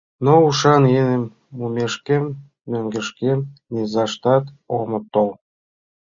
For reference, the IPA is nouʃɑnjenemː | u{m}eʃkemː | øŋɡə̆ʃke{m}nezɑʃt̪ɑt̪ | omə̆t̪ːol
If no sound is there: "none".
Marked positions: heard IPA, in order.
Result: m, m

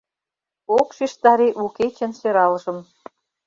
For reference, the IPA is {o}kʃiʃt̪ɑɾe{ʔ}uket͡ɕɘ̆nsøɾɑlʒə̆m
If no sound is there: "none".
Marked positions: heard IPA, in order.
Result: o, ʔ

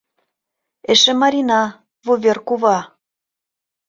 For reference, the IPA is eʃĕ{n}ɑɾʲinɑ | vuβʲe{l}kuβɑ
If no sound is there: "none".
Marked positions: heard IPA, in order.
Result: m, r

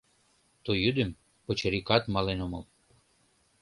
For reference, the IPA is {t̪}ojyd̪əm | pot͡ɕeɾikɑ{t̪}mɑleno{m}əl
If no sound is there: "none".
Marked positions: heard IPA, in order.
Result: t̪, t̪, m

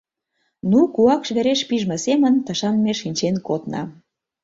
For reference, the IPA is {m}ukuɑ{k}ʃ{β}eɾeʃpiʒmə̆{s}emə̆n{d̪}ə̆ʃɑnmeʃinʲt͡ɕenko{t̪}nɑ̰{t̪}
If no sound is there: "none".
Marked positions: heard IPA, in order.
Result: n, k, β, s, t̪, t̪, none

